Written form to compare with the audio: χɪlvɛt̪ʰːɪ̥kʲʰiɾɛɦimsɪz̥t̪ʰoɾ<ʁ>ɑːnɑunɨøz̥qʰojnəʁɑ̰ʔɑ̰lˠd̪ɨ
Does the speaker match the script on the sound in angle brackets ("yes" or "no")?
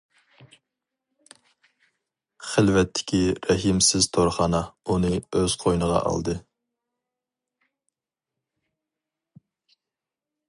no